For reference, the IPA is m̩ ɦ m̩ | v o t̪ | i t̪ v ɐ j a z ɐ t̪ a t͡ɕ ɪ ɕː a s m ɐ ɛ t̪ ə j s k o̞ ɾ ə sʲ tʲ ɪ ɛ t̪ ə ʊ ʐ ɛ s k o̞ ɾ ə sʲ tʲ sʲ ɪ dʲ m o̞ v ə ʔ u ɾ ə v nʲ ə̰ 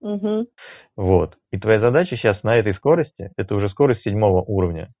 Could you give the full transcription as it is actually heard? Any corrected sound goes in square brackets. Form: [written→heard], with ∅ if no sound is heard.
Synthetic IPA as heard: m̩ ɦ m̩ | v o t̪ | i t̪ v ɐ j a z ɐ [t̪→d̪] a t͡ɕ ɪ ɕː a s [m→n] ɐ ɛ t̪ ə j s k o̞ ɾ ə sʲ tʲ ɪ ɛ t̪ ə ʊ ʐ ɛ s k o̞ ɾ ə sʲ tʲ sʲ ɪ dʲ m o̞ v ə ʔ u ɾ ə v nʲ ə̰